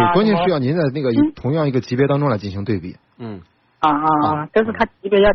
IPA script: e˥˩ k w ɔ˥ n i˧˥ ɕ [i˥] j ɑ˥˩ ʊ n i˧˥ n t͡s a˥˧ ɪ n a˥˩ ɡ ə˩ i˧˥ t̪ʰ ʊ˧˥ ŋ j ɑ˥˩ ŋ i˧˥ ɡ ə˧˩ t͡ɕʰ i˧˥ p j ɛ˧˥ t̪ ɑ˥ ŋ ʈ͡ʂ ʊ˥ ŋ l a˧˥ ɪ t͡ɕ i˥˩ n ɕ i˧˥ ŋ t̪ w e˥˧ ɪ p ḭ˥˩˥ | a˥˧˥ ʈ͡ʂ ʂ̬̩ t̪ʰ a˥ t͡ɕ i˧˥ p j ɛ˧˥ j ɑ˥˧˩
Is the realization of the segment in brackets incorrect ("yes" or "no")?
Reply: yes